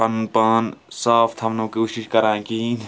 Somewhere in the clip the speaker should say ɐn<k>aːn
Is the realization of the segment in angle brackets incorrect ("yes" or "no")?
yes